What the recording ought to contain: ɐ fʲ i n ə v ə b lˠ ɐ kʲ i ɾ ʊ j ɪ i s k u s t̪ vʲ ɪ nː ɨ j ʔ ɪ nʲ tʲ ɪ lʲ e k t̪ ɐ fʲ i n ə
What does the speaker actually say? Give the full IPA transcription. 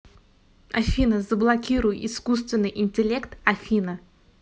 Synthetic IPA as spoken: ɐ fʲ i n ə z ə b lˠ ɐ kʲ i ɾ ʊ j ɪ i s k u s t̪ vʲ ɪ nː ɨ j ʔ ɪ nʲ tʲ ɪ lʲ e k t̪ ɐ fʲ i n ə